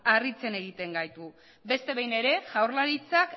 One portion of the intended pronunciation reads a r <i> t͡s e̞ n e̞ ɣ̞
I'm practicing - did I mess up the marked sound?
no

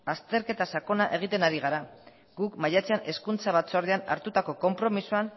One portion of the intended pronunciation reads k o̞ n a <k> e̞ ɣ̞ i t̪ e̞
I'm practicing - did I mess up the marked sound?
yes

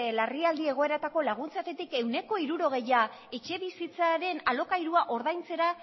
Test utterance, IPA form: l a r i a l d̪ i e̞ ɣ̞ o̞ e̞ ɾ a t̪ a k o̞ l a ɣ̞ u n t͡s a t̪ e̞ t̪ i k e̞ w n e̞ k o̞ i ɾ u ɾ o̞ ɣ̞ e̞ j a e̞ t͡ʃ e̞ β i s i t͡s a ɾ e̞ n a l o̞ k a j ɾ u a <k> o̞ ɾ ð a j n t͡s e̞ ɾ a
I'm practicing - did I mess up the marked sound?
yes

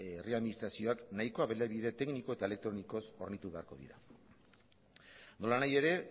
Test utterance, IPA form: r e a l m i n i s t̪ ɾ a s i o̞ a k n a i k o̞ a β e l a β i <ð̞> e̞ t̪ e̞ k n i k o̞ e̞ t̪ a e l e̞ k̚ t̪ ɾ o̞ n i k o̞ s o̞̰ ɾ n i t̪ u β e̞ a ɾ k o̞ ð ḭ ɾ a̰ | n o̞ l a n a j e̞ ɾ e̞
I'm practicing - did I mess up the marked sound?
no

